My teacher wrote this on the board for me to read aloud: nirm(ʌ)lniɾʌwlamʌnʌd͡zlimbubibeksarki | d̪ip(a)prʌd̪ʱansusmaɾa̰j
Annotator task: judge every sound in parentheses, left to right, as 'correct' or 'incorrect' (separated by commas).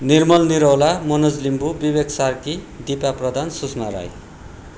correct, correct